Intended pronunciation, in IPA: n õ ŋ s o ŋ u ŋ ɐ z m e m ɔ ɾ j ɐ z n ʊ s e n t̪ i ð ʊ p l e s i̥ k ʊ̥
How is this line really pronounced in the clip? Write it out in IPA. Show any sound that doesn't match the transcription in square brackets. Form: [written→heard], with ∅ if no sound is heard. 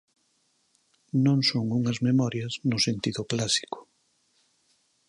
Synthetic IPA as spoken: n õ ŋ s o ŋ u ŋ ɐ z m e m ɔ ɾ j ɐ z n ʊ s e n t̪ i ð ʊ [p→k] l [e→a] s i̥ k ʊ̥